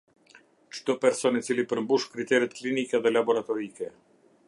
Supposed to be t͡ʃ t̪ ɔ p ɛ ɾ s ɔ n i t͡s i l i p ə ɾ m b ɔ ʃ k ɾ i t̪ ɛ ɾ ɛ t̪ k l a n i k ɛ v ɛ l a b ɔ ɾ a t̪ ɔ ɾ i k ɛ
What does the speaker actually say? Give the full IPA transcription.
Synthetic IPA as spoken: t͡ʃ t̪ ɔ p ɛ ɾ s ɔ n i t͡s i l i p ə ɾ m b u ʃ k ɾ i t̪ ɛ ɾ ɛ t̪ k l i n i k ɛ ð ɛ l a b ɔ ɾ a t̪ ɔ ɾ i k ɛ